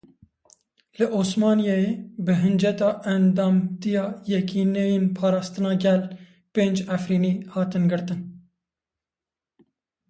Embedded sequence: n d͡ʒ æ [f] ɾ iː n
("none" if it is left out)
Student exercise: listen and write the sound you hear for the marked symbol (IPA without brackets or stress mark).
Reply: f